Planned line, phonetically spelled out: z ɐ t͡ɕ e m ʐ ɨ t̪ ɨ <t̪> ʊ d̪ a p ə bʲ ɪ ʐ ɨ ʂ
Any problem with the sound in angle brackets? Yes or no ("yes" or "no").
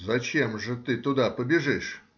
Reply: no